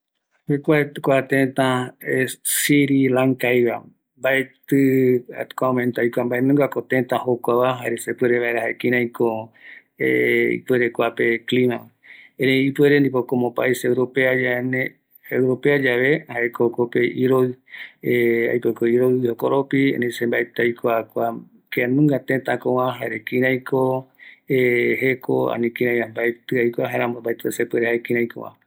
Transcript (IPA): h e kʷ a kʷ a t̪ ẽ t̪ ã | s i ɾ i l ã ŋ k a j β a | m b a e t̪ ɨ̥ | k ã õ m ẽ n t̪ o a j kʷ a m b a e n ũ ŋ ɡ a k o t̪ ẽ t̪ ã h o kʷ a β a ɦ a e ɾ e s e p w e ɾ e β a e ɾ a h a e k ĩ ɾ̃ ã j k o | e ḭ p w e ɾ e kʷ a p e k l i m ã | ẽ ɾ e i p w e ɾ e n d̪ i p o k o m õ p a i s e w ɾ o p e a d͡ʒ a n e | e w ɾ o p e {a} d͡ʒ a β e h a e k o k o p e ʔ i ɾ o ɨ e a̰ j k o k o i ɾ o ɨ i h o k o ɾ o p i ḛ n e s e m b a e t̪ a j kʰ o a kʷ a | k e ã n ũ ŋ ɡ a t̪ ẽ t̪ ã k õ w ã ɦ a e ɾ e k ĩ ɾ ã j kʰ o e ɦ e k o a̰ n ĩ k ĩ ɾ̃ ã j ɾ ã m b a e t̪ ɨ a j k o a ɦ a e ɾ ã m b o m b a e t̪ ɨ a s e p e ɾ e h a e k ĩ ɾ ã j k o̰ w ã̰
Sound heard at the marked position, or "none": a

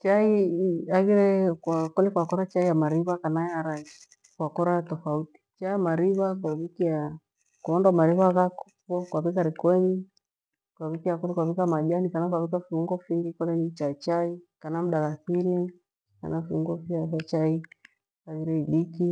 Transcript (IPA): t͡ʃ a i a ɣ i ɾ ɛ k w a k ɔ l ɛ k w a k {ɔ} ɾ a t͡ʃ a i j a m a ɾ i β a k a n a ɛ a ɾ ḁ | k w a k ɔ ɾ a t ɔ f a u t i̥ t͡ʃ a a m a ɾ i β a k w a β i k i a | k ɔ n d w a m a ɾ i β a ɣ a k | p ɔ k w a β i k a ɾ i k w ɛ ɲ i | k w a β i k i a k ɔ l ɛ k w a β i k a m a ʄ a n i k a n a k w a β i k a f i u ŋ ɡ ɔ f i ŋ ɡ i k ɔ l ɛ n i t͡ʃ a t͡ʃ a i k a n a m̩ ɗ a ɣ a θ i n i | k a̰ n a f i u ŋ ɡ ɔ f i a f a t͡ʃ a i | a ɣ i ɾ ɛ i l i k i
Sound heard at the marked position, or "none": ɔ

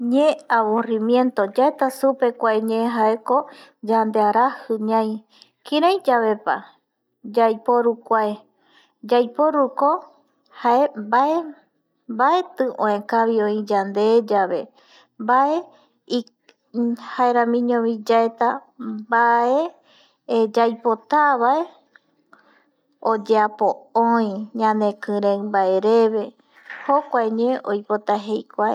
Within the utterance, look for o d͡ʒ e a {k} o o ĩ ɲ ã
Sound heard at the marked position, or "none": p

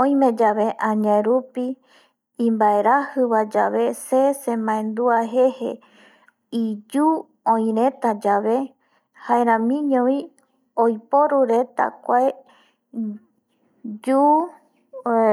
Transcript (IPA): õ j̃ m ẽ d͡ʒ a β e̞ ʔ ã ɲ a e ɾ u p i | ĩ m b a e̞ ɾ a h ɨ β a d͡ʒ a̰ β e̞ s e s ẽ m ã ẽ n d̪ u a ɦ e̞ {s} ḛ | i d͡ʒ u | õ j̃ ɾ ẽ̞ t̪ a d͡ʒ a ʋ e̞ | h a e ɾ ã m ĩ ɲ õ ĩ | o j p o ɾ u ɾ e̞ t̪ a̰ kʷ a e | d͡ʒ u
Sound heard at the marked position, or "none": h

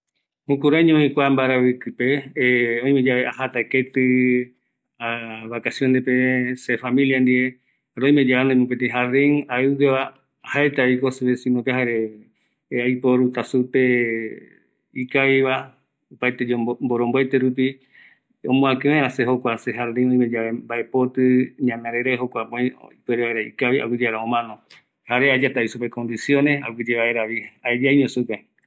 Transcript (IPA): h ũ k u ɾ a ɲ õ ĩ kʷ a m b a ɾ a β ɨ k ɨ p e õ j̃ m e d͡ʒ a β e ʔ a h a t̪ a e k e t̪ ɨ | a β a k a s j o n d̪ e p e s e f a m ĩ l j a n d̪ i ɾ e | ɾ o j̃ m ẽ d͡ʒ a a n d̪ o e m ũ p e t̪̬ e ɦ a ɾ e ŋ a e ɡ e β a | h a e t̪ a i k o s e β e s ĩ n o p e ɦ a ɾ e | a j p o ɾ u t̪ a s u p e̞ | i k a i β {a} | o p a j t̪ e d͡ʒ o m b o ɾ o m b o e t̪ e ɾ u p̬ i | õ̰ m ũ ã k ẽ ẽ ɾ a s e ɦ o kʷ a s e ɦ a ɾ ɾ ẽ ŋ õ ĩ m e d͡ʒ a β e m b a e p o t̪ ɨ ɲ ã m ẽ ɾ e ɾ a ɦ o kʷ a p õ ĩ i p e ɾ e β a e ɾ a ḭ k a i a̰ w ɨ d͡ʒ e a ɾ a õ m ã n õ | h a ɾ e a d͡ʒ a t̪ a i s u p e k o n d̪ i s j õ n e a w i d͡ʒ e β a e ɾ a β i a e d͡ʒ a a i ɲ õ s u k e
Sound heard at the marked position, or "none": a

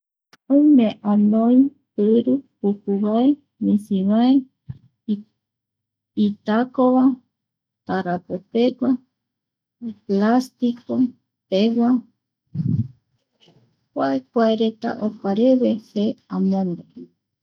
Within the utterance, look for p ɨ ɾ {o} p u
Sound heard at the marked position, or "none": u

